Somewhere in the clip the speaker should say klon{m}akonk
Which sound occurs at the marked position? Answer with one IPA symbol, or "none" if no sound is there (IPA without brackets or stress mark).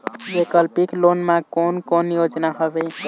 m